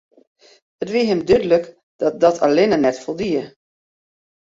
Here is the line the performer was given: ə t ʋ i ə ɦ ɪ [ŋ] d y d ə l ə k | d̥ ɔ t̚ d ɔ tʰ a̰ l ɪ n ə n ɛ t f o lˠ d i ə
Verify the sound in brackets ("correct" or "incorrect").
incorrect